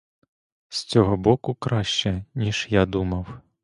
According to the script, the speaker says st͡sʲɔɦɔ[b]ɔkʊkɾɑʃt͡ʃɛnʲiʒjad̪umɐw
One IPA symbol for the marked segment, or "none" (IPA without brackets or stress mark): b